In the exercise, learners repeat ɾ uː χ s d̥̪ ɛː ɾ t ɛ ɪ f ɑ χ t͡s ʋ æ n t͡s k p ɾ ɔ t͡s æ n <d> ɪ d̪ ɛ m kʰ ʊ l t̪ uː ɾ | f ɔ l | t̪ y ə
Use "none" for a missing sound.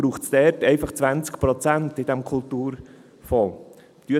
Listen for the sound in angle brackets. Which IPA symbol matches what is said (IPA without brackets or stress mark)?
t